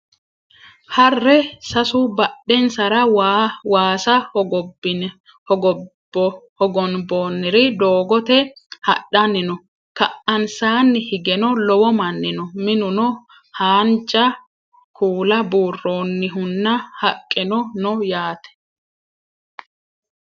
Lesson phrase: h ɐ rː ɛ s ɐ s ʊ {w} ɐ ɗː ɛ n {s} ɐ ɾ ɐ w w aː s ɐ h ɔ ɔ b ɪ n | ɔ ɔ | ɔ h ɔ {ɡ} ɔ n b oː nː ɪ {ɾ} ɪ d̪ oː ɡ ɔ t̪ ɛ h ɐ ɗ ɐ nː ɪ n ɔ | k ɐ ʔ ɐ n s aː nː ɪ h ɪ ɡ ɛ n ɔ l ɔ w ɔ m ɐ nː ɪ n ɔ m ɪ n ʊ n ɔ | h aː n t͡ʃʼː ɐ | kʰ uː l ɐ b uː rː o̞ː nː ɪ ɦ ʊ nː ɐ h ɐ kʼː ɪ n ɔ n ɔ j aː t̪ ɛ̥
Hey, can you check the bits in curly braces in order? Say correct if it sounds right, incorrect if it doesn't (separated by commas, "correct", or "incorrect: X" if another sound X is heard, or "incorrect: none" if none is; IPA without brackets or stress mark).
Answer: incorrect: b, correct, correct, correct